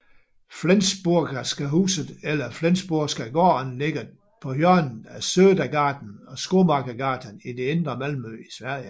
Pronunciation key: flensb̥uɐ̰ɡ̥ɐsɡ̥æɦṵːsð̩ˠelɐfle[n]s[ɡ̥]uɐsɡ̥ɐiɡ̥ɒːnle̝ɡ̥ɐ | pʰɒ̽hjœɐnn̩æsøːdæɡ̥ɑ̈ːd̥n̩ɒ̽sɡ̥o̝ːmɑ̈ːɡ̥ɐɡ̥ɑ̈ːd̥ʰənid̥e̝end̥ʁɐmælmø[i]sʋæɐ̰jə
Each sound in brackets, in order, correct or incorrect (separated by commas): correct, incorrect, correct